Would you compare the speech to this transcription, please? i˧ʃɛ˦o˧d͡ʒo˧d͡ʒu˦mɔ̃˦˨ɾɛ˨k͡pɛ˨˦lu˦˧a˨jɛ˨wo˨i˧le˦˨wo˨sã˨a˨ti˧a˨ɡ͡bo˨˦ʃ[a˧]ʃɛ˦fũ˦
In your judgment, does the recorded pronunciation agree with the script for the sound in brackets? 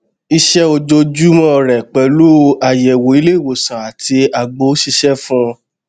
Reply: no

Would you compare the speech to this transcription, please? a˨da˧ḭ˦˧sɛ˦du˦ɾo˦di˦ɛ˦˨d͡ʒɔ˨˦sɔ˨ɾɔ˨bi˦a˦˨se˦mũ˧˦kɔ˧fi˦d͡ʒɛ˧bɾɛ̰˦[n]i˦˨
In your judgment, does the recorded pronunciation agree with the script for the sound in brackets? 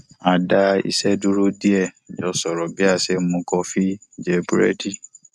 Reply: no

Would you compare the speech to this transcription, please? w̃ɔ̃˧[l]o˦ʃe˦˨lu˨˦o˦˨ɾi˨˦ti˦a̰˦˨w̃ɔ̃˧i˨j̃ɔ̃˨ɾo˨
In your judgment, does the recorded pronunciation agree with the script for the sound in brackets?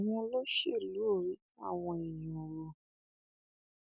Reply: yes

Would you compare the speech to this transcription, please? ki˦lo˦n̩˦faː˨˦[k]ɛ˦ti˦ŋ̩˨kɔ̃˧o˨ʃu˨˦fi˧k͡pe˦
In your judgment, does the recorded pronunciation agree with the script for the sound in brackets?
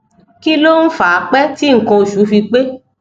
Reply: no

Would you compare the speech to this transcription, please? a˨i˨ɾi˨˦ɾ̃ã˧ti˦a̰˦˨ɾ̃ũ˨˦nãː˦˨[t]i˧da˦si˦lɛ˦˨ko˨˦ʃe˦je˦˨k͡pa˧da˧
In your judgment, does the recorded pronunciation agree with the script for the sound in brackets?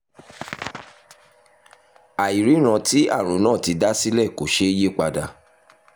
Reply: yes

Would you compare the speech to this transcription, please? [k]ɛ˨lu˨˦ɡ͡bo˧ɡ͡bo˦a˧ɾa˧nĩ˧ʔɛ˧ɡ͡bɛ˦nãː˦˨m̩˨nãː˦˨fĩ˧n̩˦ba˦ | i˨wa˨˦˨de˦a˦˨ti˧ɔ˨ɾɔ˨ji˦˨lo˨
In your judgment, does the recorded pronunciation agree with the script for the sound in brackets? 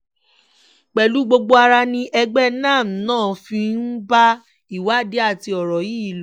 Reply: no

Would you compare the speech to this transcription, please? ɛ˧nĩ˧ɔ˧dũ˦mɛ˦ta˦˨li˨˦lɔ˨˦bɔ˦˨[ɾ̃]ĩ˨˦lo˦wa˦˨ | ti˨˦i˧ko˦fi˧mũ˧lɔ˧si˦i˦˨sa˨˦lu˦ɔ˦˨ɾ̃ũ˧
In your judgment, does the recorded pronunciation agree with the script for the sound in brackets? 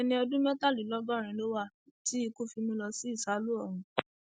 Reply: yes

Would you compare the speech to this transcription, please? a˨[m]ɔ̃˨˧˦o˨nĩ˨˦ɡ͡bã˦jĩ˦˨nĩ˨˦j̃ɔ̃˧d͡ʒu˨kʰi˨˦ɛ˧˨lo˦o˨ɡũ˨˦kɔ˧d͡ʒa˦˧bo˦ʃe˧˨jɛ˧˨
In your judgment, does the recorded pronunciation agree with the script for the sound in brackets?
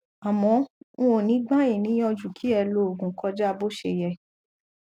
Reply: yes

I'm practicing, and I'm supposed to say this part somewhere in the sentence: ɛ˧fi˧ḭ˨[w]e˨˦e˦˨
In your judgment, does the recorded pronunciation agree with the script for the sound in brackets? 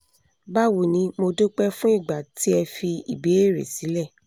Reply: no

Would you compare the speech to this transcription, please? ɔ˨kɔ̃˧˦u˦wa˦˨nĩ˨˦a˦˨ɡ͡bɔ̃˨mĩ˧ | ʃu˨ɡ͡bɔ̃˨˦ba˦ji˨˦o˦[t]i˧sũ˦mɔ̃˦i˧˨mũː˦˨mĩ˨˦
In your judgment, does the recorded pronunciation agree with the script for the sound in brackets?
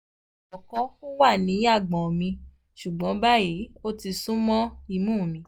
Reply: yes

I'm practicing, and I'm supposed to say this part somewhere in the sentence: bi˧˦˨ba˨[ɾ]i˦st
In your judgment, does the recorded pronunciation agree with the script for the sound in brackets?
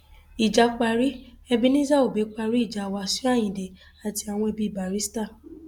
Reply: yes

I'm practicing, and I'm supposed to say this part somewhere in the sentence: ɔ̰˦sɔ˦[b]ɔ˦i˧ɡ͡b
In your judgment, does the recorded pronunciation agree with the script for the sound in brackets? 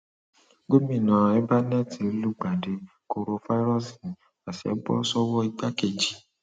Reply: no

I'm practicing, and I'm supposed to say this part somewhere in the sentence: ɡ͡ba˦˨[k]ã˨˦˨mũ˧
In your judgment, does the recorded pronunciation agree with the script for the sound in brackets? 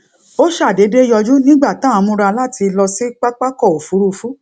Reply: no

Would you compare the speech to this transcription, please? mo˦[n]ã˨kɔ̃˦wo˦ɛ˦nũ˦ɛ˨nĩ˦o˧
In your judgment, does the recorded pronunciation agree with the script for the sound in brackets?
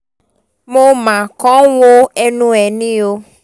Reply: no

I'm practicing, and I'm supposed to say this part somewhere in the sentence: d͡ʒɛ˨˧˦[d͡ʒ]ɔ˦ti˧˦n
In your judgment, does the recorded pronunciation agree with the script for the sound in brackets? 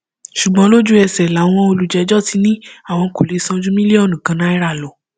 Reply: yes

